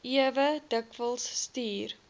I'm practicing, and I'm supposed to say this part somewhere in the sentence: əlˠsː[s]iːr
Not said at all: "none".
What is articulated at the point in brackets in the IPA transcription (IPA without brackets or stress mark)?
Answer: t